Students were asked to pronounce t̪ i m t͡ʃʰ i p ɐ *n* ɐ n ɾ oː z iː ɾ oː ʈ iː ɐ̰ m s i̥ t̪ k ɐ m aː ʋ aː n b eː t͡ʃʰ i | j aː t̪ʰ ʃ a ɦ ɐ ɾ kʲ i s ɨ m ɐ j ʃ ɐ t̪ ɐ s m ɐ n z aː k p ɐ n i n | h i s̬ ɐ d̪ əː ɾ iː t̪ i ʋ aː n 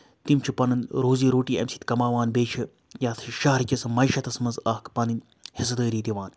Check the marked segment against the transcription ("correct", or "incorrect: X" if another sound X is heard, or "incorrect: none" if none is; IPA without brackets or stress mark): correct